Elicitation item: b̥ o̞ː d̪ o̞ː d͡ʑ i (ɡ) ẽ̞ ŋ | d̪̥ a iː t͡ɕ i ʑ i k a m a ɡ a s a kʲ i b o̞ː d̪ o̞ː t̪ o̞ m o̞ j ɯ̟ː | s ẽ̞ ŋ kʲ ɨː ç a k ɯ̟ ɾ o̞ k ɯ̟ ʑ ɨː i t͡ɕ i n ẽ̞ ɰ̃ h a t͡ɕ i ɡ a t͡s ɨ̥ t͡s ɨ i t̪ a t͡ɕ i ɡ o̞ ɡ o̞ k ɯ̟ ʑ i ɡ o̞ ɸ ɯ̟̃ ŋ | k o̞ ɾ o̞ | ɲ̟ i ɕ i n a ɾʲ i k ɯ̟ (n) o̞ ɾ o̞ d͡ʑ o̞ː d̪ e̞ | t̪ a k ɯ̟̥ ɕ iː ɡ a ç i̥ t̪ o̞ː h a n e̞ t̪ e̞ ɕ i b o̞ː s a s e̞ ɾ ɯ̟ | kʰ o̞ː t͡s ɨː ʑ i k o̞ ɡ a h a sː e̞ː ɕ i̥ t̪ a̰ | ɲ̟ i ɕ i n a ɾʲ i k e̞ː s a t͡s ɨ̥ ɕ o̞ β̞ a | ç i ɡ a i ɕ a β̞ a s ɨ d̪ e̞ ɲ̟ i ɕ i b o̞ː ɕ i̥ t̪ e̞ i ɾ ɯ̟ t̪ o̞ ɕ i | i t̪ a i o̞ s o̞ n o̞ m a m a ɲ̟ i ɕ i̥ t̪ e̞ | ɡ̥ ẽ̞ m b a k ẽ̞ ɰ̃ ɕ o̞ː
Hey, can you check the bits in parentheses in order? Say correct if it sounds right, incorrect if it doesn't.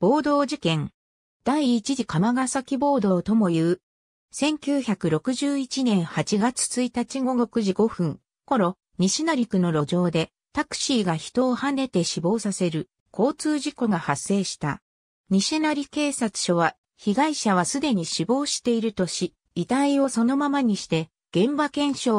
incorrect: k, correct

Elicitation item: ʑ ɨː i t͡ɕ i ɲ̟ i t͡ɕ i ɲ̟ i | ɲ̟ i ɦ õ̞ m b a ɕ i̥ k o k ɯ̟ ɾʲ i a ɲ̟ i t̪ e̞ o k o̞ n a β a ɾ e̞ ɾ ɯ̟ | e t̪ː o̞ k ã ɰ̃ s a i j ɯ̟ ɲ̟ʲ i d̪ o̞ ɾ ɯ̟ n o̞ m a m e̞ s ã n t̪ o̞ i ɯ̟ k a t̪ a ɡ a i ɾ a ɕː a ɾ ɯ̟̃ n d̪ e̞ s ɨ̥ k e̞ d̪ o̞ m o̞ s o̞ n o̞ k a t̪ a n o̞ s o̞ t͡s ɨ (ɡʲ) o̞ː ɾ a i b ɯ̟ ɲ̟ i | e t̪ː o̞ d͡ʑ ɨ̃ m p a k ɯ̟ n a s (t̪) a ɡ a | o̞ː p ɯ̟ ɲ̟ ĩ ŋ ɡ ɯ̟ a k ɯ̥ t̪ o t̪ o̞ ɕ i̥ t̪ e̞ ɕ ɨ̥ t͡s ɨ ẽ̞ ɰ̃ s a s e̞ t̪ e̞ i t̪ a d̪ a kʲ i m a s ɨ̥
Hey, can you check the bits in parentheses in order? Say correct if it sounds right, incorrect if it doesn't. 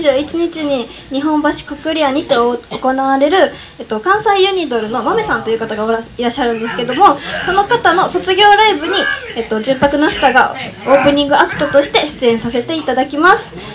correct, correct

